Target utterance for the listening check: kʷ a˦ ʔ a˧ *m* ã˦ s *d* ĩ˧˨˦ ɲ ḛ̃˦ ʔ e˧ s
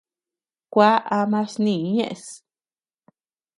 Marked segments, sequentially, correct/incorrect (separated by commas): correct, incorrect